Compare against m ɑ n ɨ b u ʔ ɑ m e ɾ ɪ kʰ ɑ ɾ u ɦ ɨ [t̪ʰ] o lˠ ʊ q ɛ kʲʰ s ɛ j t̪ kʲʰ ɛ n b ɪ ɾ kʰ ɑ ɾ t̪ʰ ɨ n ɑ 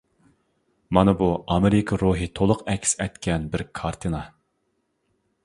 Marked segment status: correct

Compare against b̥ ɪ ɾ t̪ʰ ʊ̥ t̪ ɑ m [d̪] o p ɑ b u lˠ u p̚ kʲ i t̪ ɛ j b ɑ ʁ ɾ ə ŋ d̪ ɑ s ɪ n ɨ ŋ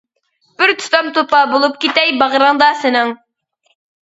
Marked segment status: incorrect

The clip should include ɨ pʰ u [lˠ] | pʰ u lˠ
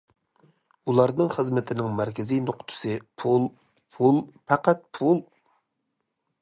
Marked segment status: correct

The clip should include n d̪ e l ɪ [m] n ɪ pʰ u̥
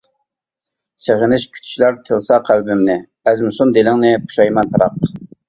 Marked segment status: incorrect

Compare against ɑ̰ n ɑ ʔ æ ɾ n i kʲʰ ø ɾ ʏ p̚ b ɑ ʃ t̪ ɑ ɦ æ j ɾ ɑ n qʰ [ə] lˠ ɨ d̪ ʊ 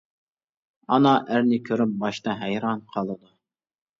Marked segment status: incorrect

